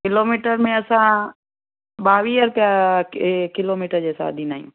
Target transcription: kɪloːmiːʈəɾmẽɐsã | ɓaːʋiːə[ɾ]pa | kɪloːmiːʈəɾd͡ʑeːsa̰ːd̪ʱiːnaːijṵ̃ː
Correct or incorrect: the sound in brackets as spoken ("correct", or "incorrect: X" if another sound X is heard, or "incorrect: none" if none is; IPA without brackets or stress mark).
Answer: correct